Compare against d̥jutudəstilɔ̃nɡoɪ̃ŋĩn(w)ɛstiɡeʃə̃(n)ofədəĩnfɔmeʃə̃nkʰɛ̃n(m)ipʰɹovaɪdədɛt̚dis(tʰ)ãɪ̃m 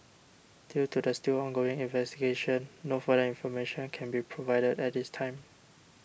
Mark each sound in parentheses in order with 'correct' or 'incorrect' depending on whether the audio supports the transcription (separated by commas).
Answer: incorrect, incorrect, incorrect, correct